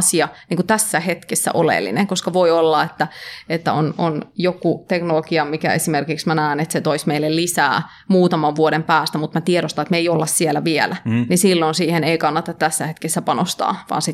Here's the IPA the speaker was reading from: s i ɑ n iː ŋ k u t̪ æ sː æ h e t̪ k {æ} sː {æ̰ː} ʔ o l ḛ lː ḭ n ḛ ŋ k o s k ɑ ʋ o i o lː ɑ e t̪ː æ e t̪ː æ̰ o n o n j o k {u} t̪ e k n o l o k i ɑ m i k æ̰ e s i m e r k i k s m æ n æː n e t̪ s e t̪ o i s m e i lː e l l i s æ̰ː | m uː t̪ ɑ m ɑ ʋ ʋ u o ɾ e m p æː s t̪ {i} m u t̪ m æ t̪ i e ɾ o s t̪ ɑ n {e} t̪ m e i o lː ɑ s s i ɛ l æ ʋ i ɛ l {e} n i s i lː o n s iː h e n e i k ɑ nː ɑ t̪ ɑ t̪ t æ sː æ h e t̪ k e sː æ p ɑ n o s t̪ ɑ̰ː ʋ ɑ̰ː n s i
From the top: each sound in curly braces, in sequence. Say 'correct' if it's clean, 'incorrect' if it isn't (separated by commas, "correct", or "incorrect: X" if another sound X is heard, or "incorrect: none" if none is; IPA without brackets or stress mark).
incorrect: e, incorrect: æ̰, correct, incorrect: æ, correct, incorrect: æ